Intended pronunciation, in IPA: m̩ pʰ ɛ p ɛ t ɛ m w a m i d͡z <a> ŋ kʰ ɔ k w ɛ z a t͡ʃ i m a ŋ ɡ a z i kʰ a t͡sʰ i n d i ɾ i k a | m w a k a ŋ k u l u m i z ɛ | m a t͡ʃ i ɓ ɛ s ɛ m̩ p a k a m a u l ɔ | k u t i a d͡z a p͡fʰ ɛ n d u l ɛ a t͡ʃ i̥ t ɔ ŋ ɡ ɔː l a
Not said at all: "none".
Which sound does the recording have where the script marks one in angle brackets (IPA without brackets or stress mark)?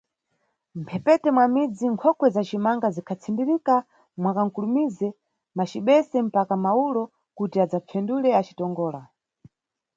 i